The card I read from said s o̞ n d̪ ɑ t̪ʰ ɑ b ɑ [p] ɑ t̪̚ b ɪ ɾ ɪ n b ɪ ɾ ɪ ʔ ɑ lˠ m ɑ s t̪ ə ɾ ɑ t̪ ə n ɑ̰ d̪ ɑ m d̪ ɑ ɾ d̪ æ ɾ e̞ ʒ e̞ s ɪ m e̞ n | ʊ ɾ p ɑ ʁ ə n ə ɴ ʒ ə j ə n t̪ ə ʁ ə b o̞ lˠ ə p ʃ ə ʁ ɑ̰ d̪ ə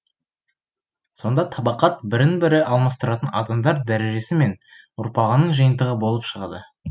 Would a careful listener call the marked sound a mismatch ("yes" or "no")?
yes